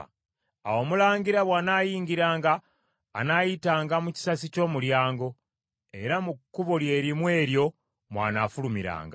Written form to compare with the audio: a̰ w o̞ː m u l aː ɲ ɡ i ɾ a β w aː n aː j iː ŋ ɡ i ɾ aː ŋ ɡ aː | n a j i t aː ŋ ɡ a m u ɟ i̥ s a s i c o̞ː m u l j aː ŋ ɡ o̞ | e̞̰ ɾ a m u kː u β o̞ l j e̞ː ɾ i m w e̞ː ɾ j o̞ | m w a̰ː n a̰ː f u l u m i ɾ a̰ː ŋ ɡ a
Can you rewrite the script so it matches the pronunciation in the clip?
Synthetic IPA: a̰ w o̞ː m u l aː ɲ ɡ i ɾ a β w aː n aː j iː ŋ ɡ i ɾ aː ŋ ɡ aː | n a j i t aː ŋ ɡ a m u c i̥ s a s i c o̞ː m u l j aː ŋ ɡ o̞ | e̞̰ ɾ a m u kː u β o̞ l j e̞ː ɾ i m w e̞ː ɾ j o̞ | m w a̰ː n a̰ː f u l u m i ɾ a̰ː ŋ ɡ a

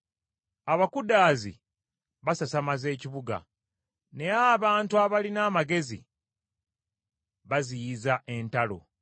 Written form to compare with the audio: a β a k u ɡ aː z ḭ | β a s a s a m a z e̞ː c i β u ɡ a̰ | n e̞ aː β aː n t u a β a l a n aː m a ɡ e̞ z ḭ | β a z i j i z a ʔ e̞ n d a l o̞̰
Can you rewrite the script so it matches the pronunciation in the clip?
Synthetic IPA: a β a k u d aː z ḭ | β a s a s a m a z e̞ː c i β u ɡ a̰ | n e̞ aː β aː n t u a β a l i n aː m a ɡ e̞ z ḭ | β a z i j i z a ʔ e̞ n t a l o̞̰

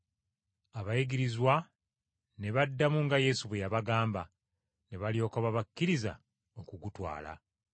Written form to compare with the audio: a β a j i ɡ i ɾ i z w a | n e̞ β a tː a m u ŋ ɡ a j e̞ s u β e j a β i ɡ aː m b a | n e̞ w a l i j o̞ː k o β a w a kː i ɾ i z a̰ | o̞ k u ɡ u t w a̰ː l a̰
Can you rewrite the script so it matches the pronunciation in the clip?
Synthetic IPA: a β a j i ɡ i ɾ i z w a | n e̞ β a dː a m u ŋ ɡ a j e̞ s u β e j a β a ɡ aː m b a | n e̞ β a l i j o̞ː k o β a β a kː i ɾ i z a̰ | o̞ k u ɡ u t w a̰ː l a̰

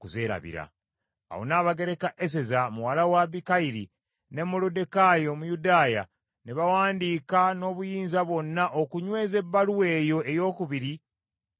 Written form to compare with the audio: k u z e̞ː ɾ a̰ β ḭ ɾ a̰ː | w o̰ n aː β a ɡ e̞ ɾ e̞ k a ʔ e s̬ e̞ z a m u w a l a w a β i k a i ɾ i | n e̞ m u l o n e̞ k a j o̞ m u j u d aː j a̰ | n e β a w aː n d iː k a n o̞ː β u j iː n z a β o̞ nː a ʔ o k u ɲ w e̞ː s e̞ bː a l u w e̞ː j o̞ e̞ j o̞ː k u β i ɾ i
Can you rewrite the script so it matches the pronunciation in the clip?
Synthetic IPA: k u z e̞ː ɾ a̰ β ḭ ɾ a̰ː | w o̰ n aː β a ɡ e̞ ɾ e̞ k a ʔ e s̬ e̞ z a m u w a l a w a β i k a i ɾ i | n e̞ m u l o d e̞ k a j o̞ m u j u d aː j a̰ | n e β a w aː n d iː k a n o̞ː β u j iː n z a β o̞ nː a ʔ o k u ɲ w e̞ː z e̞ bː a l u w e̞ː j o̞ e̞ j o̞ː k u β i ɾ i

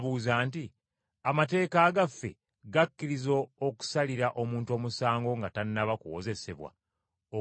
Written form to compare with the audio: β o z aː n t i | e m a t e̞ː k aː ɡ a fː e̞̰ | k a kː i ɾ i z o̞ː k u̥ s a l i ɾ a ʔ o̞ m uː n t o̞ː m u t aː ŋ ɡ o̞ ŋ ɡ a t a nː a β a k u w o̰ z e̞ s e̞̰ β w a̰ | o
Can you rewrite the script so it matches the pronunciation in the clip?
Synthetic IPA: β u z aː n t i | a m a t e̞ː k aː ɡ a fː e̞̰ | ɡ a kː i ɾ i z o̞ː k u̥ s a l i ɾ a ʔ o̞ m uː n t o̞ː m u s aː ŋ ɡ o̞ ŋ ɡ a t a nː a β a k u w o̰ z e̞ s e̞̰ β w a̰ | o

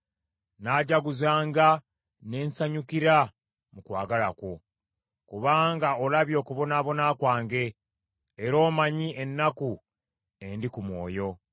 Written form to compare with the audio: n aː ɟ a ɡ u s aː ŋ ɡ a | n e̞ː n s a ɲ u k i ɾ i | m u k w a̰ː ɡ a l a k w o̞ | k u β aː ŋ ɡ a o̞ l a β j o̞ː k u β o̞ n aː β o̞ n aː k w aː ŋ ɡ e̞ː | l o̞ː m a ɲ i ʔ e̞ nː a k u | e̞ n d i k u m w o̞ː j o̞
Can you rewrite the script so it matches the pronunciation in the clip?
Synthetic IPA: n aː ɟ a ɡ u z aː ŋ ɡ a | n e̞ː n s a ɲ u k i ɾ a | m u k w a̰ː ɡ a l a k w o̞ | k u β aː ŋ ɡ a o̞ l a β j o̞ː k u β o̞ n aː β o̞ n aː k w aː ŋ ɡ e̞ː | ɾ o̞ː m a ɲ i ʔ e̞ nː a k u | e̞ n d i k u m w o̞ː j o̞

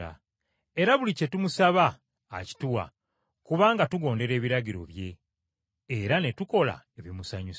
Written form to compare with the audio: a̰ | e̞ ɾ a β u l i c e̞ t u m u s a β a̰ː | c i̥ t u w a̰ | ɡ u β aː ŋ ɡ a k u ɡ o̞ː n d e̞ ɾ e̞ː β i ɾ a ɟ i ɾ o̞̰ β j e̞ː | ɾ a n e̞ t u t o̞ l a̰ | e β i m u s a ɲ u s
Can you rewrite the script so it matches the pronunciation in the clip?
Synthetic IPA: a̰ | e̞ ɾ a β u l i c e̞ t u m u s a β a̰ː | c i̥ t u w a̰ | k u β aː ŋ ɡ a t u ɡ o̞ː n d e̞ ɾ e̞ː β i ɾ a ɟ i ɾ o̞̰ β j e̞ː | ɾ a n e̞ t u k o̞ l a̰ | e β i m u s a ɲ u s

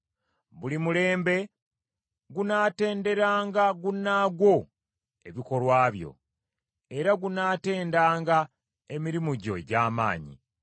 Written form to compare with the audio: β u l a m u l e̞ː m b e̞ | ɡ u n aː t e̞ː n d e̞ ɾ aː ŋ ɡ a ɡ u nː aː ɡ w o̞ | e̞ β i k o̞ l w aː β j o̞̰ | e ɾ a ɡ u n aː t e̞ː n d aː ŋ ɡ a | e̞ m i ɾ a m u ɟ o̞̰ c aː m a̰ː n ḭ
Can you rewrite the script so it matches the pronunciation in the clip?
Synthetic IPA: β u l i m u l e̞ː m b e̞ | ɡ u n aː t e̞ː n d e̞ ɾ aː ŋ ɡ a ɡ u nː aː ɡ w o̞ | e̞ β i k o̞ l w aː β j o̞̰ | e ɾ a ɡ u n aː t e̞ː n d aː ŋ ɡ a | e̞ m i ɾ i m u ɟ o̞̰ ɟ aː m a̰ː ɲ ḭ

